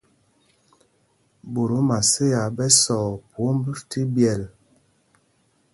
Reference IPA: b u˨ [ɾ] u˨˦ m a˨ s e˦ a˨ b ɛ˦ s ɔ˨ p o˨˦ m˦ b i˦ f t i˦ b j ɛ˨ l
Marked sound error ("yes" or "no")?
no